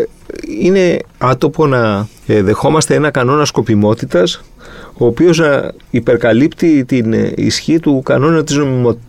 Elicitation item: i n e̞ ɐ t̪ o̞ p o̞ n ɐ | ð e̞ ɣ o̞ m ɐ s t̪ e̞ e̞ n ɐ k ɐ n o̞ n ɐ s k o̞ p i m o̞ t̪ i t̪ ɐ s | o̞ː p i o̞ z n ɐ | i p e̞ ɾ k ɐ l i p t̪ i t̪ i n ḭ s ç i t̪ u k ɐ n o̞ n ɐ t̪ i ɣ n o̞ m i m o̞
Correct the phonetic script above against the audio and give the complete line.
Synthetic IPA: i n e̞ ɐ t̪ o̞ p o̞ n ɐ | ð e̞ x o̞ m ɐ s t̪ e̞ e̞ n ɐ k ɐ n o̞ n ɐ s k o̞ p i m o̞ t̪ i t̪ ɐ s | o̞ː p i o̞ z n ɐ | i p e̞ ɾ k ɐ l i p t̪ i t̪ i n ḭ s ç i t̪ u k ɐ n o̞ n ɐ t̪ i z n o̞ m i m o̞